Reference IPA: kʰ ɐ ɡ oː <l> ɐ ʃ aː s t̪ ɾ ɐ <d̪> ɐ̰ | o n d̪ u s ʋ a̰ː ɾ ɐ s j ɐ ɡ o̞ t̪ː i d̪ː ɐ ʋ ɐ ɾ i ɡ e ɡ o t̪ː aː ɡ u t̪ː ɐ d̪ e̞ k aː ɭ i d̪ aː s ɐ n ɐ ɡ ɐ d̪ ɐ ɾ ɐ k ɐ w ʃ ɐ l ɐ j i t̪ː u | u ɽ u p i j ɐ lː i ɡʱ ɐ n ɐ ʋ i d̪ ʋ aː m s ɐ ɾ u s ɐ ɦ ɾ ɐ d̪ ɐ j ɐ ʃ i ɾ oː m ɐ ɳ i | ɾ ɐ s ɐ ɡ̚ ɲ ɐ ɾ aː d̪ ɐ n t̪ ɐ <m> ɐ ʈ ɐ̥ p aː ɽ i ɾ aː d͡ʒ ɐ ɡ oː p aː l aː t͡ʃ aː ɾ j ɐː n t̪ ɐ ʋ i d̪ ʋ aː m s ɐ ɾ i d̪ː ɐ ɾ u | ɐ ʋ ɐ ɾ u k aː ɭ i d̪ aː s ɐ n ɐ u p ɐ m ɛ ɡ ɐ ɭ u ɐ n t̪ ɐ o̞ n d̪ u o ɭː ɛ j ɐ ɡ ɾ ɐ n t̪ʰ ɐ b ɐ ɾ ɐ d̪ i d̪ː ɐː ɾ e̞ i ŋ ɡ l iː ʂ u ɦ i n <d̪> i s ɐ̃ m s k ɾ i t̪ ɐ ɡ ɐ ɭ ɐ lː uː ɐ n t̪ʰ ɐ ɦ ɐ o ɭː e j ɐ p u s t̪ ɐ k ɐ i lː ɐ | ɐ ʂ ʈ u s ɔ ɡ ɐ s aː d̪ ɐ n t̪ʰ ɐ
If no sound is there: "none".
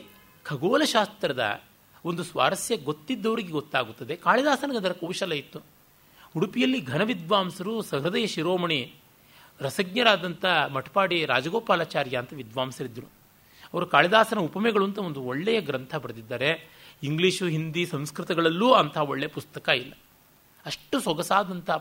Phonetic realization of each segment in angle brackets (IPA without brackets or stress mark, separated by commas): l, d̪, m, d̪